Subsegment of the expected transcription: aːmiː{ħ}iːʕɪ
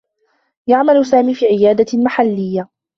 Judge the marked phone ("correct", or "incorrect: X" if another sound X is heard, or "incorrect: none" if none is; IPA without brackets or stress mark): incorrect: f